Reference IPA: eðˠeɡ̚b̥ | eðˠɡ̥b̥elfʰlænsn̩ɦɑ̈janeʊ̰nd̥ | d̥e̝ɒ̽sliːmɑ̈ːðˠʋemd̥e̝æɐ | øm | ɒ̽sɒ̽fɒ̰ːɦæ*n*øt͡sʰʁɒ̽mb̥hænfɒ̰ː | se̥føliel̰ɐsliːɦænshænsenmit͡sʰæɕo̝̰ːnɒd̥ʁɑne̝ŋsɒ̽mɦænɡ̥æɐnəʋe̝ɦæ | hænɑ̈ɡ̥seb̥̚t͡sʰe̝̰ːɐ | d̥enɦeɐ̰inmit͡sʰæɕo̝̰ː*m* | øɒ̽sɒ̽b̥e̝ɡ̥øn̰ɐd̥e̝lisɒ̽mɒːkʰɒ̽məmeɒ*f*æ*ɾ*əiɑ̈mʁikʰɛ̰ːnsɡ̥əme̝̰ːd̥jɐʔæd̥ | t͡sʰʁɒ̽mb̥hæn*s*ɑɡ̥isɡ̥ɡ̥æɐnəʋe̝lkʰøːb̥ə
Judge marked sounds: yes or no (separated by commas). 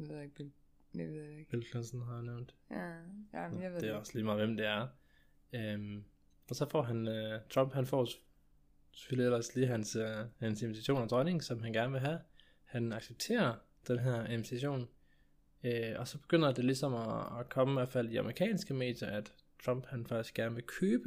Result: yes, no, yes, no, no